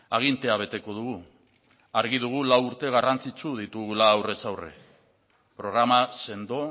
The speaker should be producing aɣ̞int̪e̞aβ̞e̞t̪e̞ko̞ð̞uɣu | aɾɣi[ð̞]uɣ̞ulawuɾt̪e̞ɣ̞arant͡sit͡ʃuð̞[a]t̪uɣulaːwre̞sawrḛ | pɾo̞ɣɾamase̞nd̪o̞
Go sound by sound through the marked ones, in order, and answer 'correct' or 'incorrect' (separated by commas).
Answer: correct, incorrect